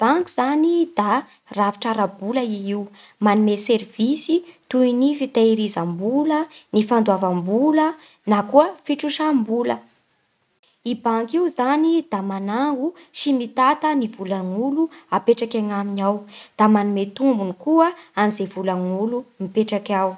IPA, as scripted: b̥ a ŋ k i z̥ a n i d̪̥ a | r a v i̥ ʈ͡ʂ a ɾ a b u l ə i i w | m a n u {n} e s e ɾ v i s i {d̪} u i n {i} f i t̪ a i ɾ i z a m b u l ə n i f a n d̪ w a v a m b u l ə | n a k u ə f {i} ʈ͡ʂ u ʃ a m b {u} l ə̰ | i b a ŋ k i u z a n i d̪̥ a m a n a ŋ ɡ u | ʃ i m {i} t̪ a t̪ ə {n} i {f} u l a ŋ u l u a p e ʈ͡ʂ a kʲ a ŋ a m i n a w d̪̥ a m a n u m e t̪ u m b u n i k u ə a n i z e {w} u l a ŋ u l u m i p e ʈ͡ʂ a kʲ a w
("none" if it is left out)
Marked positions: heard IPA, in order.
m, t̪, i, i, u, i, n, v, v

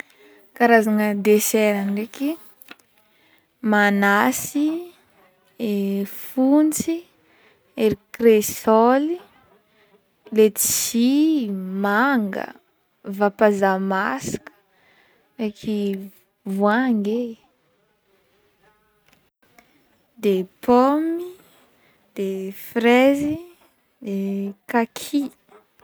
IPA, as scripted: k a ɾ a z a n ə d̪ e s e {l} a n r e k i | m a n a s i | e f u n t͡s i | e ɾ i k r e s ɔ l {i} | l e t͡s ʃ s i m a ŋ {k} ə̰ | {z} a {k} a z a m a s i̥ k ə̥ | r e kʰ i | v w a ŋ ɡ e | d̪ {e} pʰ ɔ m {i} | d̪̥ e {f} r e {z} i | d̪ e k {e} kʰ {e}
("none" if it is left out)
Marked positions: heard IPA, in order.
ɾ, i, ɡ, v, p, e, i, f, z, a, i

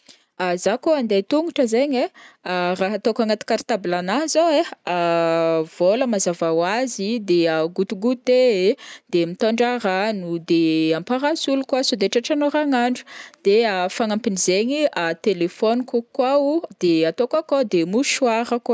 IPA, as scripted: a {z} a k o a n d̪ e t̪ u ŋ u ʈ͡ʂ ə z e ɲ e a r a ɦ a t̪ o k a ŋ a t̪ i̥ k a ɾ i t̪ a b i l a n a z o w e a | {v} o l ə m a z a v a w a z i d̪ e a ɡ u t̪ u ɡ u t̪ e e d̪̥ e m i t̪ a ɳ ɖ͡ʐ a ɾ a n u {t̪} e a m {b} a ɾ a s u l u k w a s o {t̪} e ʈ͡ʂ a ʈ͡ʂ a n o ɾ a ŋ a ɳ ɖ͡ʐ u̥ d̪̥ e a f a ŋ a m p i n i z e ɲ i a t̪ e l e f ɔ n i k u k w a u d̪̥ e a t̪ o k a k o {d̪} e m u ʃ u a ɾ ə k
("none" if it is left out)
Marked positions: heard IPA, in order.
z, v, d̪, p, d̪, d̪

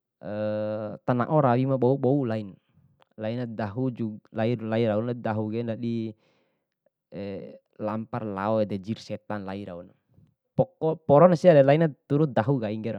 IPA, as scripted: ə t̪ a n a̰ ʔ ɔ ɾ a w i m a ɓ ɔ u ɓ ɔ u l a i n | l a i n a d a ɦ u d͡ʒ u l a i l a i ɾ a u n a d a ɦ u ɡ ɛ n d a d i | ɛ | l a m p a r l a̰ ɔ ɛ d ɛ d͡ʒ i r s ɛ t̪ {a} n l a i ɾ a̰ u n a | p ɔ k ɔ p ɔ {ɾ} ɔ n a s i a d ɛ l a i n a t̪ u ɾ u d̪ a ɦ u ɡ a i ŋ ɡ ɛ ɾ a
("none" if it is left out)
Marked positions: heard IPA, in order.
a, ɾ

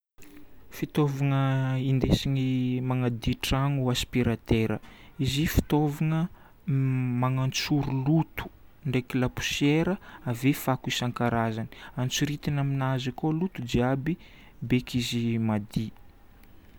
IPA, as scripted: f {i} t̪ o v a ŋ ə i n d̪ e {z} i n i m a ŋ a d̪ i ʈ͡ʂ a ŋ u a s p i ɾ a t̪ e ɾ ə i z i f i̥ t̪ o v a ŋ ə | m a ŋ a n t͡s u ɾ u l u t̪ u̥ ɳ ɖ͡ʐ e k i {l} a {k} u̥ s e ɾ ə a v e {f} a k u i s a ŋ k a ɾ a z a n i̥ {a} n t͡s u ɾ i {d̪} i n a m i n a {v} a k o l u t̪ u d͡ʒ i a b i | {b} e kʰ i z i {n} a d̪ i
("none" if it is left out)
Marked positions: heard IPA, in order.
i, s, l, p, f, a, t̪, z, b, m

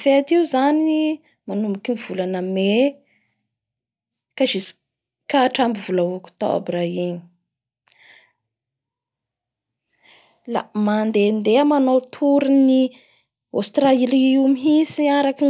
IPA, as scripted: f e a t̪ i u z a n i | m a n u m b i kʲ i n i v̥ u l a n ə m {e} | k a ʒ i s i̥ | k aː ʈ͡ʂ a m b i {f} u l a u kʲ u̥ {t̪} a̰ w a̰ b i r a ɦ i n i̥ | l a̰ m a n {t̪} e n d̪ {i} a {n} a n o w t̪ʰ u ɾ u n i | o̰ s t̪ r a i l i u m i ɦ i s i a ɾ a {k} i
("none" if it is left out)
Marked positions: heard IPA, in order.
e, v, t̪, d̪, e, m, k

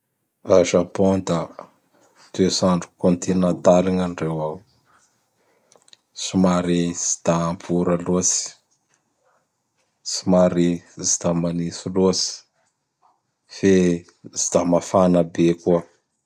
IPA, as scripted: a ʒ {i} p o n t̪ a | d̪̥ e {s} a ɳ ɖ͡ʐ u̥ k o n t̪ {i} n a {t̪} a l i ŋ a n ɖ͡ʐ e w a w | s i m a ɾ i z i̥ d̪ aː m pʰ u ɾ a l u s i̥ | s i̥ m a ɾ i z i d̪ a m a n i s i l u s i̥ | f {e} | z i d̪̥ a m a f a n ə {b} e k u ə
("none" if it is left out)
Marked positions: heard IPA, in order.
a, s, i, t̪, e, b

